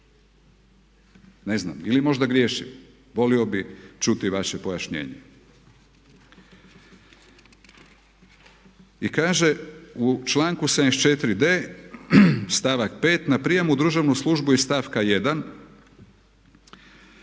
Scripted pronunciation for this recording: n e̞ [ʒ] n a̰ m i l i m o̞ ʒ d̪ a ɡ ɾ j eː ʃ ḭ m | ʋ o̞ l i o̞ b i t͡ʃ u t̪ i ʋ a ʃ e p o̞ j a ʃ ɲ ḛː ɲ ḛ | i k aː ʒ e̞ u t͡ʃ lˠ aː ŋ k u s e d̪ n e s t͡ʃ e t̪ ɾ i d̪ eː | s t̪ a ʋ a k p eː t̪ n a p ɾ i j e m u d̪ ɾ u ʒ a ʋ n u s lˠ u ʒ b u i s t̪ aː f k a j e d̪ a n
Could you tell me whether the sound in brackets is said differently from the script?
yes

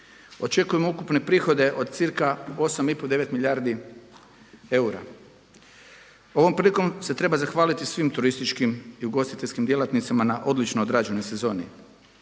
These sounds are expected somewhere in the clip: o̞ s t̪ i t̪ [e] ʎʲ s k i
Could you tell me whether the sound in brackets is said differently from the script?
no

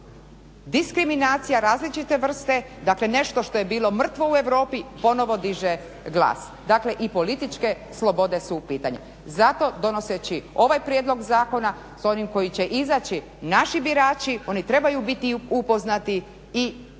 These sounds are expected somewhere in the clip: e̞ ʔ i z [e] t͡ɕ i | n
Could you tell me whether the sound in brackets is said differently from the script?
yes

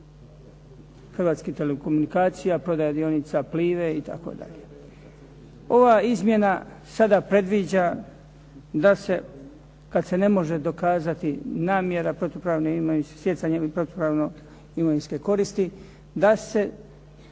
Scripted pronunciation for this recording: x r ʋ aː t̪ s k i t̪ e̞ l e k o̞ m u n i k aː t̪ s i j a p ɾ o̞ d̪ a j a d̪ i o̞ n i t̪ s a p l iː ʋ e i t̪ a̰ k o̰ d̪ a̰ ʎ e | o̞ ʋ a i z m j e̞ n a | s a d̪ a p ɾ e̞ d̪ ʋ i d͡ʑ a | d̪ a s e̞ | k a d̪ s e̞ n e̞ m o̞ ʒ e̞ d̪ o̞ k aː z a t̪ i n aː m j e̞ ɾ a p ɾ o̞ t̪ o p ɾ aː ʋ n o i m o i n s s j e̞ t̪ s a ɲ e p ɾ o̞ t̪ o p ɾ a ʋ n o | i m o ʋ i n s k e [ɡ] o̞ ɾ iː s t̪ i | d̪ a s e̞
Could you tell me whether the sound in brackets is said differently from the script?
yes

